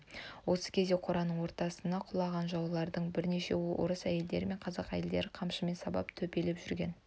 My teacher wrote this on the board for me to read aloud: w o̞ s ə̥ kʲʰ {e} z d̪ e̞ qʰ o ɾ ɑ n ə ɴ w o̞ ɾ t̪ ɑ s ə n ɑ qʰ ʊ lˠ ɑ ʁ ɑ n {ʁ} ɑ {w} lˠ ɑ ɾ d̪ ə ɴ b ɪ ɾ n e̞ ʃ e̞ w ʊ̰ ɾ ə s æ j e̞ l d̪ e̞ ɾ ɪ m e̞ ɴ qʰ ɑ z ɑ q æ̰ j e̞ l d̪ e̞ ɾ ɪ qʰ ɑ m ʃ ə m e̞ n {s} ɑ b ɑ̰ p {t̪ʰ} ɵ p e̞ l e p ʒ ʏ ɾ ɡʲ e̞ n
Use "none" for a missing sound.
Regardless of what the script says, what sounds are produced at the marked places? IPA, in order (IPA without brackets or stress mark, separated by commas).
e, ʒ, w, s, t̪ʰ